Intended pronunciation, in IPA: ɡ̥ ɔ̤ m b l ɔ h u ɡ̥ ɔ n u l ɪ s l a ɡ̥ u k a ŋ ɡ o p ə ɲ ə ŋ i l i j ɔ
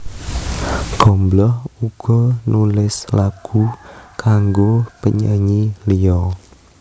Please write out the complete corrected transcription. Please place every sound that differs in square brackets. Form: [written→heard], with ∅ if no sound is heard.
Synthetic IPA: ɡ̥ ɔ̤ m b l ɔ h u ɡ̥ ɔ n u l ɪ s l a ɡ̥ u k a ŋ ɡ o p ə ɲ ə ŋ i l i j ɔ